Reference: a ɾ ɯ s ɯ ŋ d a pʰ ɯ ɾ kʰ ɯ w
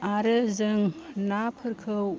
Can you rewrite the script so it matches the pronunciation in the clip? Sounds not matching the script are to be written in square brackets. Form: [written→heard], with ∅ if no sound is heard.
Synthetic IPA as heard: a ɾ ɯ [s→z] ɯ ŋ [d→n] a pʰ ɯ ɾ kʰ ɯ w